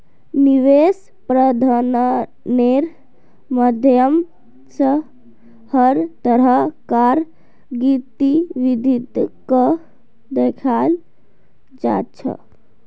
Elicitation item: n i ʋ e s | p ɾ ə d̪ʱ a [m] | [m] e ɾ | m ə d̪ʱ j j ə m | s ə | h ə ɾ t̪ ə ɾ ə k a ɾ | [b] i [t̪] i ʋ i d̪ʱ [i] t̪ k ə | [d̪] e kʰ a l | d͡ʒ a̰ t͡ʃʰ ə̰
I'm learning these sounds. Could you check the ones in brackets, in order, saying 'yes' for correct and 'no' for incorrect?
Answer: no, no, no, yes, yes, yes

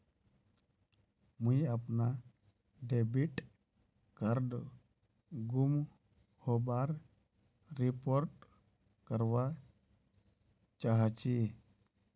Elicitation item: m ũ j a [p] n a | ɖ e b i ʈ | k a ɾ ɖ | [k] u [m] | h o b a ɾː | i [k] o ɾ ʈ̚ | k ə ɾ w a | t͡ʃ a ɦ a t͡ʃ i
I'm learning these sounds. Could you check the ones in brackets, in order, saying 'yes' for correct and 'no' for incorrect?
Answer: yes, no, yes, no

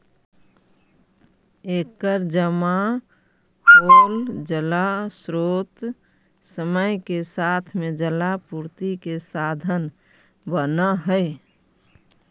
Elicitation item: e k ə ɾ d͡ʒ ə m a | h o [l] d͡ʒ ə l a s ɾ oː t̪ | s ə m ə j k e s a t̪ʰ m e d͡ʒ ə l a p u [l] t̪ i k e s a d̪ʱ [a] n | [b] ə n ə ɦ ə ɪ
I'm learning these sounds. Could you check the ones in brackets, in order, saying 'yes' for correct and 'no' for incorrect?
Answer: yes, no, no, yes

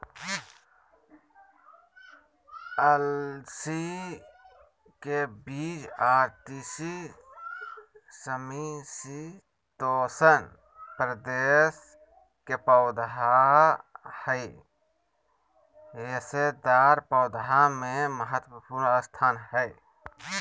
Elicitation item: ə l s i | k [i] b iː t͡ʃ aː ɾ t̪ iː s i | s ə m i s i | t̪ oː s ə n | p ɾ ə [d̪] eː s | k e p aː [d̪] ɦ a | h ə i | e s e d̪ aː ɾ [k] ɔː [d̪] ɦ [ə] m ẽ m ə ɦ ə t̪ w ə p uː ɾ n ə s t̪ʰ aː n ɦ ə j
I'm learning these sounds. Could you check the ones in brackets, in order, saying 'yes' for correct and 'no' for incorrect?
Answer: no, yes, yes, no, yes, no

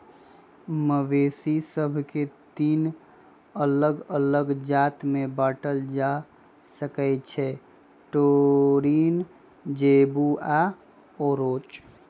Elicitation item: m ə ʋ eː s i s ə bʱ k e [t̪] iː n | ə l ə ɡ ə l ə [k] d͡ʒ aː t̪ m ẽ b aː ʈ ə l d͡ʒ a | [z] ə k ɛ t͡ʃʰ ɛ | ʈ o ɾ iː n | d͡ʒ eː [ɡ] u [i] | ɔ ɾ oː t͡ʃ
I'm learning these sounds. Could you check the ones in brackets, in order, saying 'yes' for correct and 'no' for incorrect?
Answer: yes, no, no, no, no

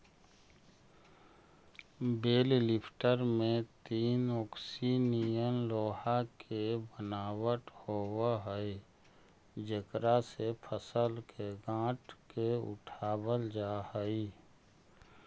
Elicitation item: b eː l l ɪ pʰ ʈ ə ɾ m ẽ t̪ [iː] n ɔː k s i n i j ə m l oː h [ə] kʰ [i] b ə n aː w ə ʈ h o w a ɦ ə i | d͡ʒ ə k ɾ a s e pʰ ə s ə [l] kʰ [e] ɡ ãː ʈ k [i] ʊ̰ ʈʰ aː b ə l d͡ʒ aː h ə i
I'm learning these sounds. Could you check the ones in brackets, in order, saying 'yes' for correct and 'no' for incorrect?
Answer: yes, no, no, yes, yes, no

